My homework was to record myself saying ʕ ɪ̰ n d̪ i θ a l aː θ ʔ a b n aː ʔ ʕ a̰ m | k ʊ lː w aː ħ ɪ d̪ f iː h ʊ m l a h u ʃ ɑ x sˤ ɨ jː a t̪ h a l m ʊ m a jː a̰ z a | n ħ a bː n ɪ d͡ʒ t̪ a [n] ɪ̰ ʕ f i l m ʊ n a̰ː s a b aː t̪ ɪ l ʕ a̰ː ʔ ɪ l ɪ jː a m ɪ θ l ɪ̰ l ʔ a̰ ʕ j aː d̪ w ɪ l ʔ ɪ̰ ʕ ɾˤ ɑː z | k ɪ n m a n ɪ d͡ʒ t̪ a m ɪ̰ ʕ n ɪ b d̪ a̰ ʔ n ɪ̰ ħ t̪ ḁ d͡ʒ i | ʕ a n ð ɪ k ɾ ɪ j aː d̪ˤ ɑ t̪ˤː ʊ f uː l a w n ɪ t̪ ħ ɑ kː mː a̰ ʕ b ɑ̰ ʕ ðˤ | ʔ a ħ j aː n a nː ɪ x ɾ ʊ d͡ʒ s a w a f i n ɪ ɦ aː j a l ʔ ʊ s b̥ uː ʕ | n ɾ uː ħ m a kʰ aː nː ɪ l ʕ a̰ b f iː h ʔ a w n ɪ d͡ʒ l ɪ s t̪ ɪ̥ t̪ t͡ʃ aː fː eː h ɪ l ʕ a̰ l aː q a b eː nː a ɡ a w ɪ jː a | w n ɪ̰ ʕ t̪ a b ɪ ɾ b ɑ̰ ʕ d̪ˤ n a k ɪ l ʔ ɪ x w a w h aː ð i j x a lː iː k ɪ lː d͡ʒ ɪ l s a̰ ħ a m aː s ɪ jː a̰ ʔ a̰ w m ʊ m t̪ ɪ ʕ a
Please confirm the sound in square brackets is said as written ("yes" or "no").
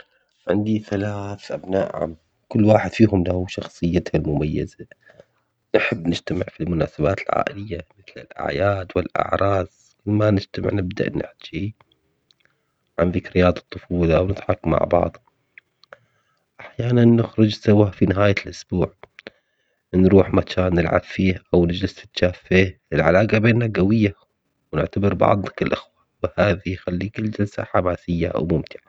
no